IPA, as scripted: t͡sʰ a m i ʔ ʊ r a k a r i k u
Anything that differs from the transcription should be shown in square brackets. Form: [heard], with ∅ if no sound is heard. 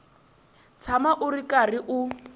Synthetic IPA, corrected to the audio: t͡sʰ a m [a] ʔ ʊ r [i] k a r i [ʔ] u